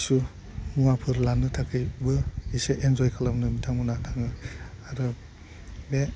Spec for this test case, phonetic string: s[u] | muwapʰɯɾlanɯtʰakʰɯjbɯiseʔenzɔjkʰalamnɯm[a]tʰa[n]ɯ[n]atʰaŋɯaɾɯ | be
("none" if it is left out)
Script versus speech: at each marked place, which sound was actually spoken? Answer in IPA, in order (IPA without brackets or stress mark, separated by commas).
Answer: u, i, ŋ, n